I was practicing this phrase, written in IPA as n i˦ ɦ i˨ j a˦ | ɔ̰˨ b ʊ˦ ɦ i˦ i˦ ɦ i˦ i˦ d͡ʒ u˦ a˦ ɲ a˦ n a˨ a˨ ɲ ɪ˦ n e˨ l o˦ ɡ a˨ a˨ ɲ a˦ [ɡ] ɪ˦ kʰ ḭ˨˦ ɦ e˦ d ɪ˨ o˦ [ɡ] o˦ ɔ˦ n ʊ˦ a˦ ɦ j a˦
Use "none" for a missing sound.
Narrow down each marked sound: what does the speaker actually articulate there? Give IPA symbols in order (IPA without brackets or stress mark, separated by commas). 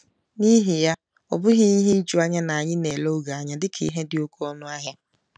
d, k